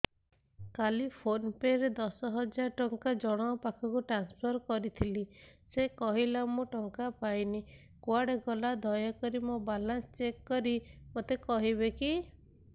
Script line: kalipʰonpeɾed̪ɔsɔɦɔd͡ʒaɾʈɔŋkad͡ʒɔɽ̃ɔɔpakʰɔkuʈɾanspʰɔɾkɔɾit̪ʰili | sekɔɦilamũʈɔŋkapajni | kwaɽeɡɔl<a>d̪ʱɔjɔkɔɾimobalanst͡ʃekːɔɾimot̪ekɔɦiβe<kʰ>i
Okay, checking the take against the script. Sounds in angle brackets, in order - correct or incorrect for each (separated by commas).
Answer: correct, incorrect